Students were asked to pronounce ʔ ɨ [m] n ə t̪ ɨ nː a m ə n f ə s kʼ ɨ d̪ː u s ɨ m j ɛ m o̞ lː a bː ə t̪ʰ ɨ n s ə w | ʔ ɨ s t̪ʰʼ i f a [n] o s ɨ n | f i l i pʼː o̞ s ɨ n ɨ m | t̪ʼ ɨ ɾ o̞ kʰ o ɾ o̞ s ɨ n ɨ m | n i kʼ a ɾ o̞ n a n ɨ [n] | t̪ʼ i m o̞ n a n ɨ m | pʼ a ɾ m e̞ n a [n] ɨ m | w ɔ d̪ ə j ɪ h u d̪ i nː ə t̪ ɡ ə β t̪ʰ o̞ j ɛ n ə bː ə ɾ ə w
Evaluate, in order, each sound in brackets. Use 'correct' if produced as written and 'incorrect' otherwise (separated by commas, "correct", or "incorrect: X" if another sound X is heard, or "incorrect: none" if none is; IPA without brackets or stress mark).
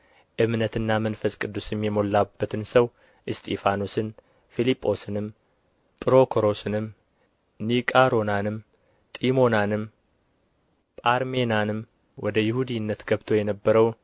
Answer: correct, correct, incorrect: m, correct